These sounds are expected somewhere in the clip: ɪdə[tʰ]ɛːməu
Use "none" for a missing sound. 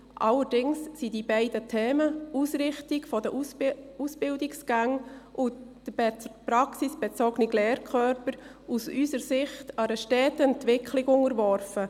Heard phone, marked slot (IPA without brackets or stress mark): tʰ